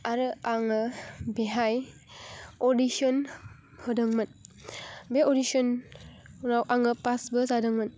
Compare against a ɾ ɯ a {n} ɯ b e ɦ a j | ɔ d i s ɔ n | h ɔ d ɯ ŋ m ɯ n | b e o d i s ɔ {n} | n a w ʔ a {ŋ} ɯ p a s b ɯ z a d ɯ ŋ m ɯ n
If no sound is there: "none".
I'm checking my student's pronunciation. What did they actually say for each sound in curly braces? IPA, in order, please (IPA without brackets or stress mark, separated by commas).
ŋ, n, ŋ